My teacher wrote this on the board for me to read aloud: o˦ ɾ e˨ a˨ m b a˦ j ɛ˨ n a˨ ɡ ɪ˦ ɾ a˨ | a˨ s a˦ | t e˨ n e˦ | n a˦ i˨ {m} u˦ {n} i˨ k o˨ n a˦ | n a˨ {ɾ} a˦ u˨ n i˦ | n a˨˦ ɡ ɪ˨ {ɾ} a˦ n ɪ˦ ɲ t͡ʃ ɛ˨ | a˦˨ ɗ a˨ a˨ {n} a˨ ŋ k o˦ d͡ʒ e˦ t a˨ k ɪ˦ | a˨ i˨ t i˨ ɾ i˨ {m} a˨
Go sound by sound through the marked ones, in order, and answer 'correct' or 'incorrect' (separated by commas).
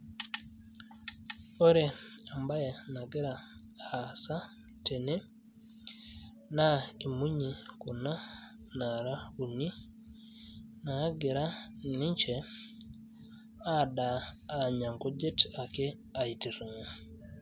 correct, incorrect, correct, correct, incorrect, incorrect